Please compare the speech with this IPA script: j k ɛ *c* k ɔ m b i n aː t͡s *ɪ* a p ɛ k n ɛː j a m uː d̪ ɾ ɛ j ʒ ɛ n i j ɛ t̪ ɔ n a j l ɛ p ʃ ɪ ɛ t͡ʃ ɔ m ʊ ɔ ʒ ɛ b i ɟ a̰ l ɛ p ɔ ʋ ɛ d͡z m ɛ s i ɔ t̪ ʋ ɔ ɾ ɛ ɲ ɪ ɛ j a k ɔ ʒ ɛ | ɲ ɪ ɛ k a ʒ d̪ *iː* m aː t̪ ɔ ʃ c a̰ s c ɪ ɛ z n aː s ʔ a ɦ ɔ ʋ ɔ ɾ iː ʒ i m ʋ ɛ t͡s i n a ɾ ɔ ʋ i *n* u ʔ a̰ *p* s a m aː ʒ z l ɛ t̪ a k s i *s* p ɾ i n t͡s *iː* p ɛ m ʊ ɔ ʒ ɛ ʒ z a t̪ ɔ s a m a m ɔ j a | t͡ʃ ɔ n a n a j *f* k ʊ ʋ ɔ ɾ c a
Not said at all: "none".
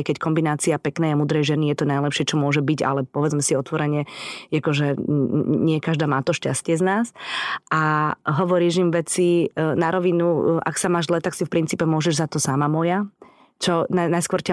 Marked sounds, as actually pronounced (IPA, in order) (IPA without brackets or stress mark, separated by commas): c, i, aː, n, k, f, iː, s